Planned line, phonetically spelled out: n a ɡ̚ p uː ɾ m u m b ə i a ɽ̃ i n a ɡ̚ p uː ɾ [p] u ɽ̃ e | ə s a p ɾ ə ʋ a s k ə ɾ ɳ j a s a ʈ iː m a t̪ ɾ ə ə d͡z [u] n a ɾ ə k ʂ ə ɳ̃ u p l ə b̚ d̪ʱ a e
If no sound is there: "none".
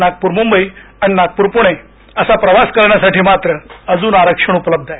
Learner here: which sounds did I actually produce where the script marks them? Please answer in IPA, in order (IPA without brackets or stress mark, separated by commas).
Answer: p, uː